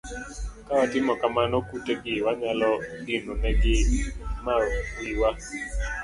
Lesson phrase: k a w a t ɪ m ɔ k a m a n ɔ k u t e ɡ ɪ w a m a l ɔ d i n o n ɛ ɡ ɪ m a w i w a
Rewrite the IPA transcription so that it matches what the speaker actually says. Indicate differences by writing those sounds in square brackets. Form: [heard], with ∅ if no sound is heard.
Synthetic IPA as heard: k a w a t ɪ m ɔ k a m a n ɔ k u t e ɡ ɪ w a [ɲ] a l ɔ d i n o n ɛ ɡ ɪ m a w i w a